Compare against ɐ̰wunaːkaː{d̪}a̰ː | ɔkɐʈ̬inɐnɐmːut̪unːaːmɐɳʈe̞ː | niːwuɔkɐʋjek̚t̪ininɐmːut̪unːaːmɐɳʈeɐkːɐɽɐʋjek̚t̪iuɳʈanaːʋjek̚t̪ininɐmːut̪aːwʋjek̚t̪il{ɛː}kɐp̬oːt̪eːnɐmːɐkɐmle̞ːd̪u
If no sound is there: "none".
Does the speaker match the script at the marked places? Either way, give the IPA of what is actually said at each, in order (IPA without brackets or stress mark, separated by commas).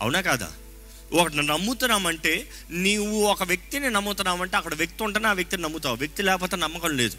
d̪, ɛː